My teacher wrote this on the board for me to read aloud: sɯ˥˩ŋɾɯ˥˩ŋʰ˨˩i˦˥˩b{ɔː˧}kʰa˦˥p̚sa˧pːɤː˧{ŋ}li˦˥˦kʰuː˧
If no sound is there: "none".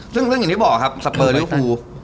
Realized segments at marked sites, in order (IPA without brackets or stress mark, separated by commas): ɔː˨˩, none